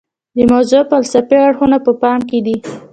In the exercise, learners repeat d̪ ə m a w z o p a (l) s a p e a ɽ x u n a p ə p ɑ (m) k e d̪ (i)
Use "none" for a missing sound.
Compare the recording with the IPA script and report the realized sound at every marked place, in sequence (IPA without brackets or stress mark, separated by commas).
l, m, i